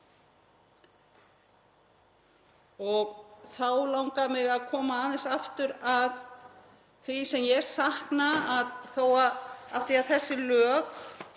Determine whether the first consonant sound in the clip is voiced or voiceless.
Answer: voiced